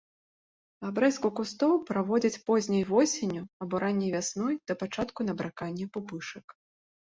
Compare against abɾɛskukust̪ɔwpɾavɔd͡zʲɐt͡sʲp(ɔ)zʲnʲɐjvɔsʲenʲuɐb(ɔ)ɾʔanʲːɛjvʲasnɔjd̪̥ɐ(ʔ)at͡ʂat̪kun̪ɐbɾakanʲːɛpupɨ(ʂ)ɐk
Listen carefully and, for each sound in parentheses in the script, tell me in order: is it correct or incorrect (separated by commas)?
correct, correct, incorrect, correct